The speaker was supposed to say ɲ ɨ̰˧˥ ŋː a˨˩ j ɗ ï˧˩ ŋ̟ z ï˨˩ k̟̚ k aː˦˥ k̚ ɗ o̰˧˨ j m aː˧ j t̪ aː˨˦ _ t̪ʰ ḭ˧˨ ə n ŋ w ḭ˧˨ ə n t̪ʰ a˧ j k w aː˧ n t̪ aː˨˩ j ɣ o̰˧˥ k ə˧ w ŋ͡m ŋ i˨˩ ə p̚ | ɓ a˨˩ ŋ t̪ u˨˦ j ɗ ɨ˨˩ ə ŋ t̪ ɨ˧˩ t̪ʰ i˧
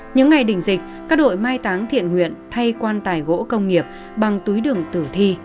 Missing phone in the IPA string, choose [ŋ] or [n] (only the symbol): ŋ